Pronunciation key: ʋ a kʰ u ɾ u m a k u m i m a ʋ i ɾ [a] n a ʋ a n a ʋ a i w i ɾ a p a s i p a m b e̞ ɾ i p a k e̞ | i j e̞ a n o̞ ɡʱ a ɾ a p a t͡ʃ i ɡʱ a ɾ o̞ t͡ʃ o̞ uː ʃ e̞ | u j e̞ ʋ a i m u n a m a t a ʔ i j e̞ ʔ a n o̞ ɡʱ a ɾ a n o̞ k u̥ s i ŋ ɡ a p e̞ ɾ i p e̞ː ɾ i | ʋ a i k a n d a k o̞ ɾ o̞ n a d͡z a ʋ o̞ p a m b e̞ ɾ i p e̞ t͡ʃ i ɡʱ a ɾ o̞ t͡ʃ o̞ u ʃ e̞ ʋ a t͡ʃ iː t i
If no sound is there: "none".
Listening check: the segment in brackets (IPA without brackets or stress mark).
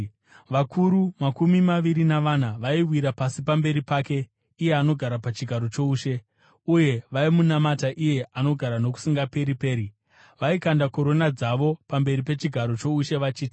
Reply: i